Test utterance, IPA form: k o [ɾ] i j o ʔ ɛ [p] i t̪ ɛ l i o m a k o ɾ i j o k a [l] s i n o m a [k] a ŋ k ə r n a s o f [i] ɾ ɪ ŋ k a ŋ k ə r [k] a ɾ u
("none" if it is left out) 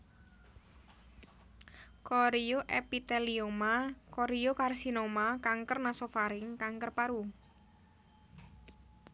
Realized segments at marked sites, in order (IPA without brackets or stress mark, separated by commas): ɾ, p, r, k, a, p